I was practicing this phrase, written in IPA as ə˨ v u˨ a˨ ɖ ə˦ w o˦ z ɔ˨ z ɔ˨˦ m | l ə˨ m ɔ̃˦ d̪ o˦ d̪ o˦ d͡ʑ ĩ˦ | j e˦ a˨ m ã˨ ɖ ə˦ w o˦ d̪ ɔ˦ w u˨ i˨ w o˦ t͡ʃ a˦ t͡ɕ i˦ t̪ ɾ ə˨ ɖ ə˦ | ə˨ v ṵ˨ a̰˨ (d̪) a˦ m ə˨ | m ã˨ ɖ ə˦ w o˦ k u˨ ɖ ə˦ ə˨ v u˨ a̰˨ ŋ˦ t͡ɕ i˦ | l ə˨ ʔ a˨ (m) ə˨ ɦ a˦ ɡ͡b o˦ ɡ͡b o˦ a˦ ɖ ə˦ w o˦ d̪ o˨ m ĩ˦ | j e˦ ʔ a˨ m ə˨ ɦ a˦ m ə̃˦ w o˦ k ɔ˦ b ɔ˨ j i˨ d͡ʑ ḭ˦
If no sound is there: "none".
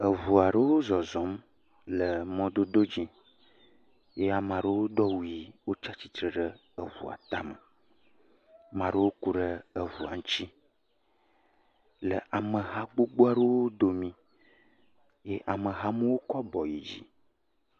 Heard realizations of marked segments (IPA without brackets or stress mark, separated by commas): t̪, m